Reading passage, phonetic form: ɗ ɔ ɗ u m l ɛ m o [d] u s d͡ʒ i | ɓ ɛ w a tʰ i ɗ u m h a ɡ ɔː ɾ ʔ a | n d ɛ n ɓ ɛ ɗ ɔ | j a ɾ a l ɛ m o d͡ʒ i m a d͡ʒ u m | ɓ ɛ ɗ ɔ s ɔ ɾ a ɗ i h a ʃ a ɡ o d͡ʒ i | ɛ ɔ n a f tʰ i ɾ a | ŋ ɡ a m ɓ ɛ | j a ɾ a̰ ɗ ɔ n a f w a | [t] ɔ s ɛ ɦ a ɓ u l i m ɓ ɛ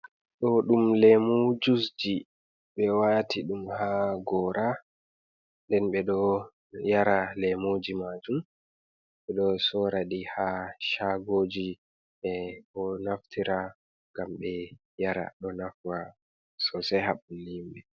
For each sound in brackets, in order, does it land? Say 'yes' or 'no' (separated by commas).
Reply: no, no